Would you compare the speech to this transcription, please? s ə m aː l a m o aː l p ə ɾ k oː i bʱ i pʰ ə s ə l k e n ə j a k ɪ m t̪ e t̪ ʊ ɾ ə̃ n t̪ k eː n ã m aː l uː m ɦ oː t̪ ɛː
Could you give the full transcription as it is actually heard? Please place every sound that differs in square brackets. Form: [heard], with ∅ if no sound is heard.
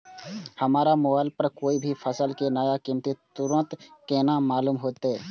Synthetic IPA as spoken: [h] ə m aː [ɾ] a m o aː l p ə ɾ k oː i bʱ i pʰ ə s ə l k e n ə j a k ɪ m t̪ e t̪ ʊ ɾ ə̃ n t̪ k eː n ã m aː l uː m ɦ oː t̪ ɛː